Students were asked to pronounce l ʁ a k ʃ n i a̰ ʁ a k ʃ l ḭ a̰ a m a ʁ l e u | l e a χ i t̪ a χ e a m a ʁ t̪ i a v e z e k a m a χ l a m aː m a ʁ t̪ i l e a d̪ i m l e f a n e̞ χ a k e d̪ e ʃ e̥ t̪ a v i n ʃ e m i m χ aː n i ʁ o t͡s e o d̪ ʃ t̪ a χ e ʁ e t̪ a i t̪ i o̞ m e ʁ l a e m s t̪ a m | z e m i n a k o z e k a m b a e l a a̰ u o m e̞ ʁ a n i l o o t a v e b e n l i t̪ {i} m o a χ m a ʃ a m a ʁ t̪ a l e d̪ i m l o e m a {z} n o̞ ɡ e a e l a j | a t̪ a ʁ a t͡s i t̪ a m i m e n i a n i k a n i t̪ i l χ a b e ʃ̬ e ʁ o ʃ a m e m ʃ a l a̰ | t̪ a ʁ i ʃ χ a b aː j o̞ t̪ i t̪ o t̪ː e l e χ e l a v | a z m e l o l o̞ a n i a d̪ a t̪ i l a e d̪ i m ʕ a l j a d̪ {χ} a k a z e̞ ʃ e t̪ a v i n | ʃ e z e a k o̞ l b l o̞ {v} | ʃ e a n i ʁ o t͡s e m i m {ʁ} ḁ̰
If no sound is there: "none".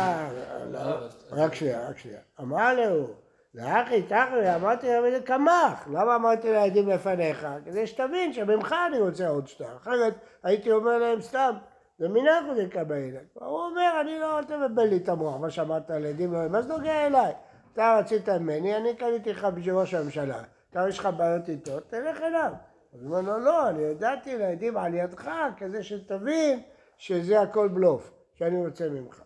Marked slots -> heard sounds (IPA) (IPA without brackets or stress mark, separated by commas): a, z, χ, f, χ